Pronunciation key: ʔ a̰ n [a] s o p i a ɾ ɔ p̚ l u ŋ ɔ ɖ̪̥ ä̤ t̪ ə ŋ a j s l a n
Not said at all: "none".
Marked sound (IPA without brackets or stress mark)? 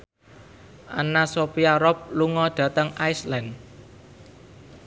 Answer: a